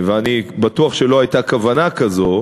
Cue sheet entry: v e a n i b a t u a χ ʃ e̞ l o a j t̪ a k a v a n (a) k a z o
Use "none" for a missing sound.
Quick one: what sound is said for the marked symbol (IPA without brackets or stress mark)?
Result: a